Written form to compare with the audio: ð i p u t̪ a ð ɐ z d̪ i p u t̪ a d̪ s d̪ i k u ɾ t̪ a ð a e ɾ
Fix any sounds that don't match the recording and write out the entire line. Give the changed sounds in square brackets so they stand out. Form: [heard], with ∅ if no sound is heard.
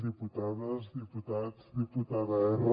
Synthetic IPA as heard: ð i p u t̪ a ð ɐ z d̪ i p u t̪ a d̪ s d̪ i [p] u [∅] t̪ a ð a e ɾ